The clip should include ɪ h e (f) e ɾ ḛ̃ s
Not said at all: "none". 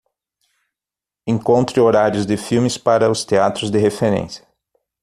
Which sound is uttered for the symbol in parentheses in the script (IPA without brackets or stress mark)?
f